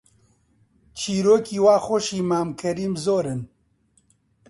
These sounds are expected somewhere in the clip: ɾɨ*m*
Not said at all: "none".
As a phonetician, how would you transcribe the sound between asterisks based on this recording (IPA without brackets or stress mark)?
n